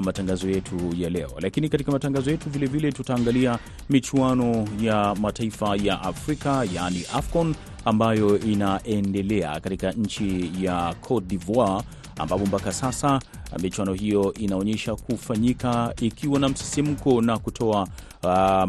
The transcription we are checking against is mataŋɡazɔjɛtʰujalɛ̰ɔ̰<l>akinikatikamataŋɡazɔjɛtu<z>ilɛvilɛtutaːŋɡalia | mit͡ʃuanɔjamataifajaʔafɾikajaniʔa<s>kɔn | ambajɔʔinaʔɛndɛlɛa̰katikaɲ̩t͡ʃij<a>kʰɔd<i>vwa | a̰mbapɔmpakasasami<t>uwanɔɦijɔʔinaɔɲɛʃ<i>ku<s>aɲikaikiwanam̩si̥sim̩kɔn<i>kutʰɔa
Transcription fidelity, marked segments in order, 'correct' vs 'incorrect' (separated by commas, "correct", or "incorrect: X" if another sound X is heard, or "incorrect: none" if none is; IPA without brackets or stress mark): correct, incorrect: v, incorrect: f, correct, correct, incorrect: t͡ʃ, incorrect: a, incorrect: f, incorrect: a